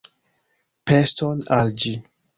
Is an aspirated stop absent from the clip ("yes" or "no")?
yes